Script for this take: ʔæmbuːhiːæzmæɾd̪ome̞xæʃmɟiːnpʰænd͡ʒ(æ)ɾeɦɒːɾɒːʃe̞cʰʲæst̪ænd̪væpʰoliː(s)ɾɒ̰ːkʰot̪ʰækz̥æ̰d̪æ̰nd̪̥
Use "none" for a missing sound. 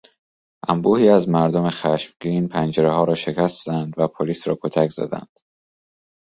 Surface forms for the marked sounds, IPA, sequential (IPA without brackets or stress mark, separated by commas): e, s